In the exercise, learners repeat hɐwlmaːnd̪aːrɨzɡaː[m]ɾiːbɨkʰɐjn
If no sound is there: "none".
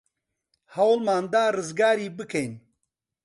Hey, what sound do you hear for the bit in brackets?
none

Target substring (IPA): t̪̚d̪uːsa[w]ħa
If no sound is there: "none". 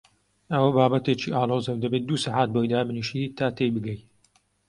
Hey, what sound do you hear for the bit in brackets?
none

